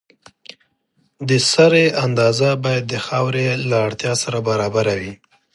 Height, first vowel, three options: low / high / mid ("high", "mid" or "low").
mid